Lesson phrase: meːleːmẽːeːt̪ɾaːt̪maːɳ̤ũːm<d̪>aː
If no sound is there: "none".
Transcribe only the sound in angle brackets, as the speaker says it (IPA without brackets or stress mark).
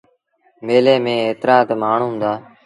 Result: d̪